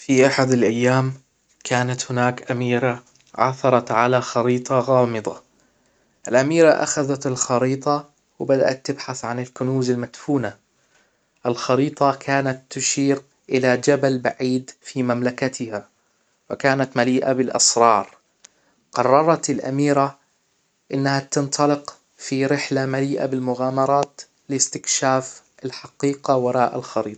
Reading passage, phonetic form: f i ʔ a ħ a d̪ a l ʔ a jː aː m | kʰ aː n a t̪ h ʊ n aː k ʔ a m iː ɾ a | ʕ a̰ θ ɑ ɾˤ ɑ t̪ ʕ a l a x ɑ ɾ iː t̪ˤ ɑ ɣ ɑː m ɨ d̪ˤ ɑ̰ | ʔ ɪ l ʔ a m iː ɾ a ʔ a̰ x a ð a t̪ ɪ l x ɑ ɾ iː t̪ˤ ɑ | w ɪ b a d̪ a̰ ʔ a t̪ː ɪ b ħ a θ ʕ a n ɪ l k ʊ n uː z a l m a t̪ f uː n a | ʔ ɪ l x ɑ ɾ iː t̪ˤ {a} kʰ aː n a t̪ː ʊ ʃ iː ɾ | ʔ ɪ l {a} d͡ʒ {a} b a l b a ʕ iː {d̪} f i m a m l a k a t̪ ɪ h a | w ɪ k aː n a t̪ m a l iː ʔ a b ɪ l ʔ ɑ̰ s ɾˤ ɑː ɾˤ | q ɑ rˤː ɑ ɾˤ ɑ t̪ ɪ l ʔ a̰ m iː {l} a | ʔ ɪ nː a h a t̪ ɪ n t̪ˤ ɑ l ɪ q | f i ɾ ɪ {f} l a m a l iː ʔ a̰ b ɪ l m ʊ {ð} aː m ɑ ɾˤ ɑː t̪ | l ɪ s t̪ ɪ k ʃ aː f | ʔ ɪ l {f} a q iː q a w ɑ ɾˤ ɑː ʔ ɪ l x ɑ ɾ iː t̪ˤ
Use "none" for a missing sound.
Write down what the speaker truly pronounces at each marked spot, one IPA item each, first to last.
ɑ, a, a, d̪, ɾ, ħ, ɣ, ħ

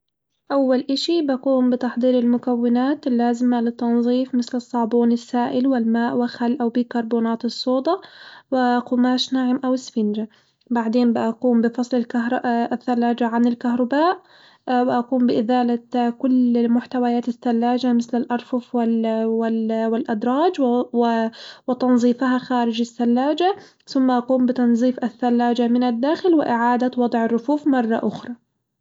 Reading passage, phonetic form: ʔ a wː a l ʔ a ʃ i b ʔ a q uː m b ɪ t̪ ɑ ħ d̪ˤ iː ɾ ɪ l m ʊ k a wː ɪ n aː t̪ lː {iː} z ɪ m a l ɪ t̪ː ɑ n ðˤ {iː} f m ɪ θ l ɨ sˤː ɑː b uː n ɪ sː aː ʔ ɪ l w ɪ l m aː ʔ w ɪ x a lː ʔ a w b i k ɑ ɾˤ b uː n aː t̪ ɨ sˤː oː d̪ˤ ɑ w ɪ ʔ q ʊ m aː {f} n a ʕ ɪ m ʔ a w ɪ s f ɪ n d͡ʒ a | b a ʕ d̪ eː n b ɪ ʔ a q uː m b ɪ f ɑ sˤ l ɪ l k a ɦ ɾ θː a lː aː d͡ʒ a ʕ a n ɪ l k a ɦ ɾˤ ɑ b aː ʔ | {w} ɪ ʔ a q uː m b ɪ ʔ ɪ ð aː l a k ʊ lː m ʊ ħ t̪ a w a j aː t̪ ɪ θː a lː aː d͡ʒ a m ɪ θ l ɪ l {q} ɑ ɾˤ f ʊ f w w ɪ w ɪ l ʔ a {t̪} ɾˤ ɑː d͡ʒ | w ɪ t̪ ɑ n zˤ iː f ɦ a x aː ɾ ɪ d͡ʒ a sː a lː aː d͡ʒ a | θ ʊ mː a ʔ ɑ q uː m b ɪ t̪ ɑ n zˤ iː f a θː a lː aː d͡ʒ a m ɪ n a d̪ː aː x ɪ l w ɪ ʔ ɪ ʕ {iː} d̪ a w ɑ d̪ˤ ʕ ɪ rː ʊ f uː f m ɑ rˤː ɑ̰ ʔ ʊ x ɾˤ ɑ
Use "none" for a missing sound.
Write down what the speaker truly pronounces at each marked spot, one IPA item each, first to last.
aː, iː, ʃ, w, ʔ, d̪, aː

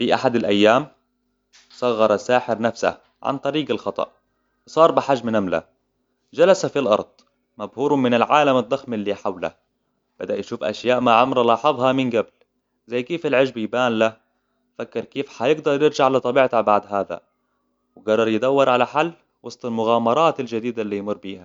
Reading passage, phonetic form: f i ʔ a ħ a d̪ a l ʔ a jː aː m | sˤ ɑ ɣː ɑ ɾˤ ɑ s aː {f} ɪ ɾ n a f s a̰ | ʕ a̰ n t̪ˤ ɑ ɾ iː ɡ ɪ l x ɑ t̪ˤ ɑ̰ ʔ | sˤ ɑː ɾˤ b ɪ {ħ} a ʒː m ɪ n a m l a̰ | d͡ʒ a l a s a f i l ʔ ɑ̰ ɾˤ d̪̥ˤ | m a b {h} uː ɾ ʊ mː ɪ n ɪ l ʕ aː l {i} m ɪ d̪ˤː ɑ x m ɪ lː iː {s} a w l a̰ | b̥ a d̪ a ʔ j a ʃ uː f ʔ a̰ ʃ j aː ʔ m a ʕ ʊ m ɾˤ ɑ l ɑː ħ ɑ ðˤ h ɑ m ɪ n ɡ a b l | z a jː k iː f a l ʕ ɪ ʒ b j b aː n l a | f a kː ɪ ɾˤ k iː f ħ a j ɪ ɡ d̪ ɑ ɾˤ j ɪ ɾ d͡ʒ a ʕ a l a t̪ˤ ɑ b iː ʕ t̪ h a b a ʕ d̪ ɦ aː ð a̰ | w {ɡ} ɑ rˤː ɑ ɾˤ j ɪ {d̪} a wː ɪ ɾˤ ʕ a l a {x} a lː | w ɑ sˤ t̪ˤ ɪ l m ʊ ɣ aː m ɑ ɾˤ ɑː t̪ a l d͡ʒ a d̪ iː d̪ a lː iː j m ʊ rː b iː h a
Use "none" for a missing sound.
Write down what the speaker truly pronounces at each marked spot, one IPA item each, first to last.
ħ, ħ, h, a, ħ, ɡ, d̪, ħ

